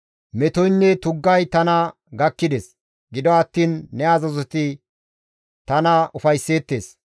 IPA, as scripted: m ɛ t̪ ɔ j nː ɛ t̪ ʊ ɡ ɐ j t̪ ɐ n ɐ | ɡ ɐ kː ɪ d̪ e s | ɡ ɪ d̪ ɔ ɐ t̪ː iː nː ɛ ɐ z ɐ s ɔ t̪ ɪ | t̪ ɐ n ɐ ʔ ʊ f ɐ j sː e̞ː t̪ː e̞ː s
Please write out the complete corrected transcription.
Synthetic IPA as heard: m ɛ t̪ ɔ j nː ɛ t̪ ʊ ɡː ɐ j t̪ ɐ n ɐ | ɡ ɐ kː ɪ d̪ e s | ɡ ɪ d̪ ɔ ɐ t̪ː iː nː ɛ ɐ z ɐ z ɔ t̪ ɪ | t̪ ɐ n ɐ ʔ ʊ f ɐ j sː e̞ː t̪ː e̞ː s